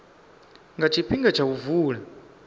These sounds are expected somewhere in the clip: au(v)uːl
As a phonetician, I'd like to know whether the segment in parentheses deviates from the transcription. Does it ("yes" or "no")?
no